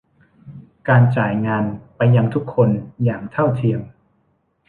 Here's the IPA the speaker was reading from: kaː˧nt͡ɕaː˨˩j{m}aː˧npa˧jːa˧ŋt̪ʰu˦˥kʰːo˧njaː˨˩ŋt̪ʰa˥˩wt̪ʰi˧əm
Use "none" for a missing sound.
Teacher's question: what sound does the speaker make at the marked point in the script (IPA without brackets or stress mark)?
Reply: ŋ